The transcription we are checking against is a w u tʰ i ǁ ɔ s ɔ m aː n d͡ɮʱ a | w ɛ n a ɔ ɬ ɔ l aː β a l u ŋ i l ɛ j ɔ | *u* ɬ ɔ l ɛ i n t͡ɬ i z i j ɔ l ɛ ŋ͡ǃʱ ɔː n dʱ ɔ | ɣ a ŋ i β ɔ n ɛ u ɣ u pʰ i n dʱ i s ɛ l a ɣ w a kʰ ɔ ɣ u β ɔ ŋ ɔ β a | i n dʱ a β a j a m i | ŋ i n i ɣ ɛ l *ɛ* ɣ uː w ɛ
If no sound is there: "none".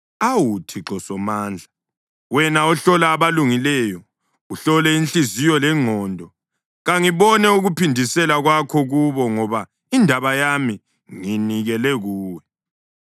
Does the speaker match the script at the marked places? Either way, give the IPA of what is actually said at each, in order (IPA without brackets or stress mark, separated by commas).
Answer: u, ɛ